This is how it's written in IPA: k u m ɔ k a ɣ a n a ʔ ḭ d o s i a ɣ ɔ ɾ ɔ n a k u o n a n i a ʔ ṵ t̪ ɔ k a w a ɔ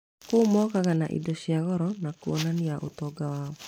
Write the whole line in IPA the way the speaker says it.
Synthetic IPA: k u m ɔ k a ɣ a n a ʔ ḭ d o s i a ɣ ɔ ɾ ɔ n a k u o n a n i a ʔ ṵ t̪ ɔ ɡ a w a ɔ